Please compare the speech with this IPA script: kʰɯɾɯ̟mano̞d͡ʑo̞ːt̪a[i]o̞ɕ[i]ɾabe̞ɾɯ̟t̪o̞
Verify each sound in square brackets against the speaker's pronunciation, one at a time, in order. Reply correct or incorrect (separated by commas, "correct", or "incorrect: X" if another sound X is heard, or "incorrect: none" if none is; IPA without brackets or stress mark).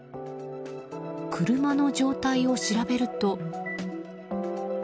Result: correct, correct